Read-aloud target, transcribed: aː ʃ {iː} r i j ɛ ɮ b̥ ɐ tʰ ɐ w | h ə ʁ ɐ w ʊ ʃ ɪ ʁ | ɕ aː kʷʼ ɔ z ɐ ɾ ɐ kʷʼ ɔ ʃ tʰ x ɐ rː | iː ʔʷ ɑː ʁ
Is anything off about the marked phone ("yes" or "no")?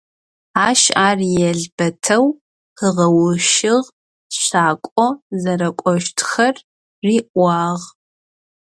yes